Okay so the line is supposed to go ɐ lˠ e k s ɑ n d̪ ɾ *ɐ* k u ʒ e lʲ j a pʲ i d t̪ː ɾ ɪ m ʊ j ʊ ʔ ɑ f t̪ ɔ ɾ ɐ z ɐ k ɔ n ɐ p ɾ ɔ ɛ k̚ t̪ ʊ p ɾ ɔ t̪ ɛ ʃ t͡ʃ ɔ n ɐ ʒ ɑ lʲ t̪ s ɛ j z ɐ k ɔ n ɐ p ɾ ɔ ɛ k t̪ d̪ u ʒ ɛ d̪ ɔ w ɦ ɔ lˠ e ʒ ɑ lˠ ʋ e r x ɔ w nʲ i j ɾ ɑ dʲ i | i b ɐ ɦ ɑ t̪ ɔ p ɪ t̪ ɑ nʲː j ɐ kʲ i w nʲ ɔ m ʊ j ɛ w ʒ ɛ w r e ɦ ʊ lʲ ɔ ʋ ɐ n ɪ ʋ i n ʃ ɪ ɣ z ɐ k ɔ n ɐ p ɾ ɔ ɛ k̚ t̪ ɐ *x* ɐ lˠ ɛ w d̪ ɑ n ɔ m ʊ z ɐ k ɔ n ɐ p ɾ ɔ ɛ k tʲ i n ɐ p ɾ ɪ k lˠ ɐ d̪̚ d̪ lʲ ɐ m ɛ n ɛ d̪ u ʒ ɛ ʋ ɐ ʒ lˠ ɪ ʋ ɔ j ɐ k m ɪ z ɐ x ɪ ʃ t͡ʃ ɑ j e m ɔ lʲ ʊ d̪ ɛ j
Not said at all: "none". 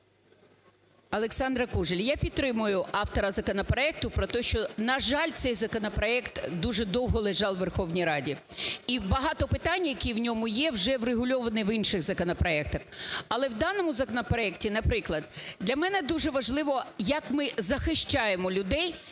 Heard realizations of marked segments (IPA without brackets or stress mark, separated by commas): ɐ, x